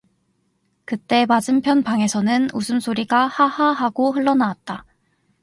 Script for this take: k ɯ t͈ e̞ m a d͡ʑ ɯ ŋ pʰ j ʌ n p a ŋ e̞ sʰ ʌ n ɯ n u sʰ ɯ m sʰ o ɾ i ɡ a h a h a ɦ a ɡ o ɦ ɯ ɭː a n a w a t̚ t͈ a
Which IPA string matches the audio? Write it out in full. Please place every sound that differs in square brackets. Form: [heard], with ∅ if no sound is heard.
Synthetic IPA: k ɯ t͈ e̞ m a d͡ʑ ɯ [m] pʰ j ʌ n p a ŋ e̞ sʰ ʌ n ɯ n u sʰ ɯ m sʰ o ɾ i ɡ a h a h a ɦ a ɡ o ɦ ɯ ɭː [ʌ] n a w a t̚ t͈ a